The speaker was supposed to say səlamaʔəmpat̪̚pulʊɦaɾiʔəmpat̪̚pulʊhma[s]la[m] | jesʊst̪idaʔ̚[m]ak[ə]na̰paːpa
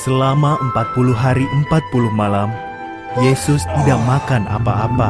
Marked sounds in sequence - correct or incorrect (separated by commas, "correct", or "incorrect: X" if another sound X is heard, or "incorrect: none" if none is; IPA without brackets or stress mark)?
incorrect: none, correct, correct, incorrect: a